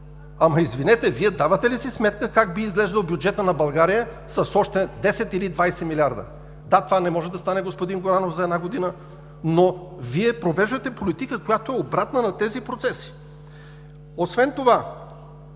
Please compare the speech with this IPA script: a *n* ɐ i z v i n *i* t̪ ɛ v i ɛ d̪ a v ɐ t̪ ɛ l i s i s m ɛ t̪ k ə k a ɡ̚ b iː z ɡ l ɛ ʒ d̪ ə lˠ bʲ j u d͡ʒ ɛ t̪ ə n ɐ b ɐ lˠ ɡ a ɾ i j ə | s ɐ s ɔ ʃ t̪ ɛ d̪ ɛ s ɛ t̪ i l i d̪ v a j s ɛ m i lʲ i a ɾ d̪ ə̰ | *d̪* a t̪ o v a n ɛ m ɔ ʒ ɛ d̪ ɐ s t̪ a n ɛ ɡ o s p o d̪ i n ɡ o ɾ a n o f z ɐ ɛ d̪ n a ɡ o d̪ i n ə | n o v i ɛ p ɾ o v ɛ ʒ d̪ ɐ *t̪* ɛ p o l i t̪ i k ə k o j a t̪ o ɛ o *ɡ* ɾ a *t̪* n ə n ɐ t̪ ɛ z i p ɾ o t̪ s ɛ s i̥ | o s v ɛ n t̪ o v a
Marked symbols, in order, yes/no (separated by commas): no, no, yes, yes, no, yes